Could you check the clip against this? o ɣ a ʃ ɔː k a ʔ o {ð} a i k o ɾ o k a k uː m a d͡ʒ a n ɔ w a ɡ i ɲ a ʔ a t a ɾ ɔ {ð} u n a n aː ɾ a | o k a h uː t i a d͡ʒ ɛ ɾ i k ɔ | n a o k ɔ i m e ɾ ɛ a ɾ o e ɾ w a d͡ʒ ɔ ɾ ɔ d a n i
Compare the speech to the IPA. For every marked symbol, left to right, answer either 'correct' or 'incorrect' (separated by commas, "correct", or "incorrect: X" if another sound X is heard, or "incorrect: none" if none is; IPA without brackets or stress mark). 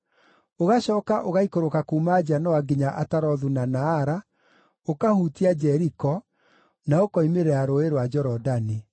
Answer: incorrect: ɣ, correct